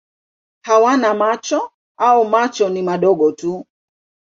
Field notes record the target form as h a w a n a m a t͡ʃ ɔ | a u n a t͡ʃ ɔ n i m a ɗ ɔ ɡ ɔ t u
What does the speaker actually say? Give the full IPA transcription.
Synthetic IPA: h a w a n a m a t͡ʃ ɔ | a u m a t͡ʃ ɔ n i m a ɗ ɔ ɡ ɔ t u

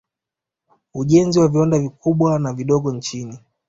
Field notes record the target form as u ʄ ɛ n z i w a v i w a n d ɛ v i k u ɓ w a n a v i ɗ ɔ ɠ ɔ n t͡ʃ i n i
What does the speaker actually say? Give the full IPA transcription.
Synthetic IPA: u ʄ ɛ n z i w a v i w a n d a v i k u ɓ w a n a v i ɗ ɔ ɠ ɔ n t͡ʃ i n i

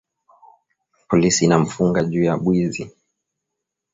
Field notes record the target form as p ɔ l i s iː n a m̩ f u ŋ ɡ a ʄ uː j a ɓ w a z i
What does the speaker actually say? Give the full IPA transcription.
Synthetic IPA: p ɔ l i s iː n a m̩ f u ŋ ɡ a ʄ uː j a ɓ w i z i

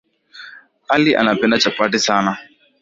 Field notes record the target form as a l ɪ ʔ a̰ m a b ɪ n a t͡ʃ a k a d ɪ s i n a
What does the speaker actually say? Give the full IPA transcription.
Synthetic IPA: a l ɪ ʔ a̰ n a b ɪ n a t͡ʃ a p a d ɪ s a n a

